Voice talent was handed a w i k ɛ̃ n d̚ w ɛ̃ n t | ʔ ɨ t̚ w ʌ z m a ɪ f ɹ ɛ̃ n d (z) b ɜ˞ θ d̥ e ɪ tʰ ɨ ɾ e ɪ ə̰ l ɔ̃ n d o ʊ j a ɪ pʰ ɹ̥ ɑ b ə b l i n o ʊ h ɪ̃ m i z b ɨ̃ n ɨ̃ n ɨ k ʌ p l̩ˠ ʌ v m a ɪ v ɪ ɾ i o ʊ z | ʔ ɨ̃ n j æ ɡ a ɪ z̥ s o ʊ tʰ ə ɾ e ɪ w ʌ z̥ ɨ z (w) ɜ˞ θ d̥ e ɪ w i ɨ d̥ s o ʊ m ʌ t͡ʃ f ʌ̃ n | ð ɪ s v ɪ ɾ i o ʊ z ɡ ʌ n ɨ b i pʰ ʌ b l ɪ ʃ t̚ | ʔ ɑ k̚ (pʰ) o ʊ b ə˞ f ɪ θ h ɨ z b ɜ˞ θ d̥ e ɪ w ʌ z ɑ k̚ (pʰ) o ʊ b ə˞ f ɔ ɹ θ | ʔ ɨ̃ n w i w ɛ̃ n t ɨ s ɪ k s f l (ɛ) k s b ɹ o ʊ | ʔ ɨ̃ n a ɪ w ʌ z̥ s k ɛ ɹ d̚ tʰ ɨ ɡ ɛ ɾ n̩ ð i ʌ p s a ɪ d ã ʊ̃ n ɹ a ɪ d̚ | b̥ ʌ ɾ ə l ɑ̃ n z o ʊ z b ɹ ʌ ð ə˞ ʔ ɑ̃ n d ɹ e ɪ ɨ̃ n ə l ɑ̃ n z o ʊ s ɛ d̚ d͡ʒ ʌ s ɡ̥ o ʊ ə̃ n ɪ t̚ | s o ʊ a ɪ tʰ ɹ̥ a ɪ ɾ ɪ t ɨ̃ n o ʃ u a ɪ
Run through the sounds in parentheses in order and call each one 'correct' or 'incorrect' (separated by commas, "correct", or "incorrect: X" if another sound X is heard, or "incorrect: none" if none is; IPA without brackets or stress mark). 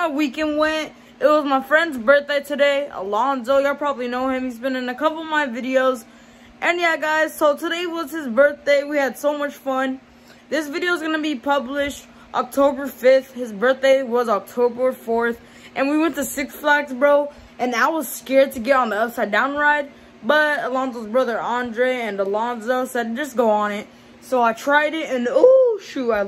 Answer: correct, incorrect: b, incorrect: tʰ, incorrect: tʰ, incorrect: æ